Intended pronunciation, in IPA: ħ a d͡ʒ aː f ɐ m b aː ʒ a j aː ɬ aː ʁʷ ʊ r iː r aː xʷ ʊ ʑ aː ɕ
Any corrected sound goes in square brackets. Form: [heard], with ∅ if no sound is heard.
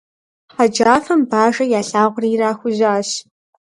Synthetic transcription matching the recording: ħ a d͡ʒ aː f ɐ m b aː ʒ [ɐ] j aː ɬ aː ʁʷ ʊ r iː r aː xʷ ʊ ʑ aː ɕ